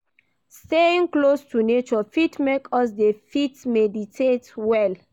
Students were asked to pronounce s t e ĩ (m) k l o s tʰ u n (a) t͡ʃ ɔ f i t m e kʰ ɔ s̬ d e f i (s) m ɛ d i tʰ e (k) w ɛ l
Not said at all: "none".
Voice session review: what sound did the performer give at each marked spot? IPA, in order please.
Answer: ŋ, e, t, t

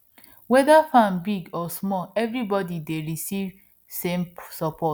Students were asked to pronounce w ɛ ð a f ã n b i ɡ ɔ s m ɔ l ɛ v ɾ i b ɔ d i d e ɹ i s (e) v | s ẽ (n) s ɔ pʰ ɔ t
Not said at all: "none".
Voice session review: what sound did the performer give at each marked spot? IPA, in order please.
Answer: i, m

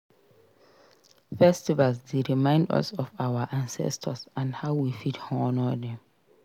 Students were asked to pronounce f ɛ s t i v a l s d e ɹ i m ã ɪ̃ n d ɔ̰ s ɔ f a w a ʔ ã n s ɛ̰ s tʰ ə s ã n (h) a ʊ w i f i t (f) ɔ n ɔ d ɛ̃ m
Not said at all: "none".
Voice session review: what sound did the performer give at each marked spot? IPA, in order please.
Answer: h, h

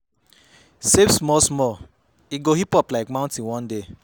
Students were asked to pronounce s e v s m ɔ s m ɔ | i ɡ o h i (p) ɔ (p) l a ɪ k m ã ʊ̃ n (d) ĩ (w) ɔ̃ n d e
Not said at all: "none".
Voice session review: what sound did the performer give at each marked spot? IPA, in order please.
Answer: p, p, t, w

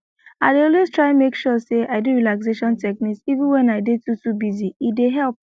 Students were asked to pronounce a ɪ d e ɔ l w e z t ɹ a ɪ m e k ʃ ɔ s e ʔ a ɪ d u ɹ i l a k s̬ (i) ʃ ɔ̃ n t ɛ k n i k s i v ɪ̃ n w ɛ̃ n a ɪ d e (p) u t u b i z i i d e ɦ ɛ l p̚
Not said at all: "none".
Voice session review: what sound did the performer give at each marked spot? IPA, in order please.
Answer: e, t

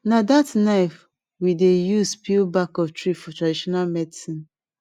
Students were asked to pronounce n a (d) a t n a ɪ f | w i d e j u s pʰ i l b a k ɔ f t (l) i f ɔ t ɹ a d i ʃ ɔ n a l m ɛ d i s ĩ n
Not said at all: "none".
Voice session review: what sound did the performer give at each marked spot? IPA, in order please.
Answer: d, ɹ

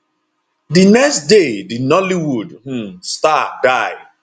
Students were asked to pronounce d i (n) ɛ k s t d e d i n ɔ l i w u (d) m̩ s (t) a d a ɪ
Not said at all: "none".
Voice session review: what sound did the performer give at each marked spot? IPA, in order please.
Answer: n, d, t

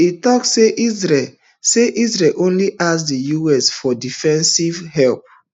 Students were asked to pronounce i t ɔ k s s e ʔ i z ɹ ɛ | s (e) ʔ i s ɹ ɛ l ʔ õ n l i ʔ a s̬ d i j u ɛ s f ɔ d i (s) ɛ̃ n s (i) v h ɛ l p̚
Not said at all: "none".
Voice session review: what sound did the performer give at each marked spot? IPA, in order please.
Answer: e, f, i

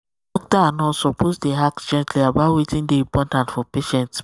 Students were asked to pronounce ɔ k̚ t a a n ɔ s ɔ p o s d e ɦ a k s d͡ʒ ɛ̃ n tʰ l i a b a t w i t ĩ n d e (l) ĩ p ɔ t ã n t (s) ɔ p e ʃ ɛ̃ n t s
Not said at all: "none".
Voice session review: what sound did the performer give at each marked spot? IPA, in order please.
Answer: none, f

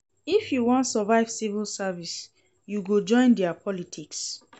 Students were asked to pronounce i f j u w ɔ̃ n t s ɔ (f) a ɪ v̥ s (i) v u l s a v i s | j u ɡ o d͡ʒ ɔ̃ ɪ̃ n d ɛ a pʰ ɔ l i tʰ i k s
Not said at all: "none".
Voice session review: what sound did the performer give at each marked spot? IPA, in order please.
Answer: v, i

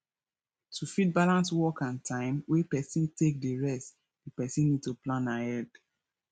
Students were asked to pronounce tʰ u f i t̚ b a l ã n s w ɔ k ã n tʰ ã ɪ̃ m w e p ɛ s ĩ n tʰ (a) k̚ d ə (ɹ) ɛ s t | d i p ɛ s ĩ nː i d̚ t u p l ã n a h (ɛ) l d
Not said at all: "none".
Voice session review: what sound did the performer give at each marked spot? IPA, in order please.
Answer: e, ɹ, ɛ

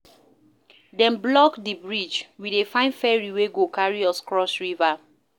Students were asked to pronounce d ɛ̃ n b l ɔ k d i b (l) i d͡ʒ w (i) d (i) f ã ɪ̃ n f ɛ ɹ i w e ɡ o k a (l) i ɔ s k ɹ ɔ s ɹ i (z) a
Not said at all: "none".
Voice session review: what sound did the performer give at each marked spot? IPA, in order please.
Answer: ɹ, i, e, ɹ, v

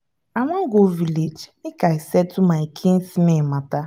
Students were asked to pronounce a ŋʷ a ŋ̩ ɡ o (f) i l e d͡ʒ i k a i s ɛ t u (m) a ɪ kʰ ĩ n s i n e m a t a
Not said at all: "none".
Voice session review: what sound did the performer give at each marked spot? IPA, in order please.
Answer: v, m

